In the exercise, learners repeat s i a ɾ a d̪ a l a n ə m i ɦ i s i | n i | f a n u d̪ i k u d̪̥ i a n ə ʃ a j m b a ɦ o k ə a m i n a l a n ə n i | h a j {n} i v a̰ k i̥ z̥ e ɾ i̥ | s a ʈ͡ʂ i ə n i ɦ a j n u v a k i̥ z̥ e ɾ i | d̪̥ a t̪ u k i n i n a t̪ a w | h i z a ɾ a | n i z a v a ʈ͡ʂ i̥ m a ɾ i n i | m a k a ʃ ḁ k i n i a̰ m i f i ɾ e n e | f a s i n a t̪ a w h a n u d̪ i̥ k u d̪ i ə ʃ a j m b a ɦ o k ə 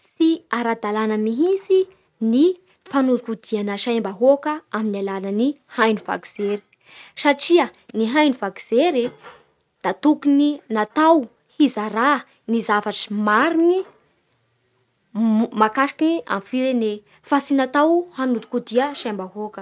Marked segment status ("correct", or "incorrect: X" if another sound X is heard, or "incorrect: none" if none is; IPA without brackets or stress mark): correct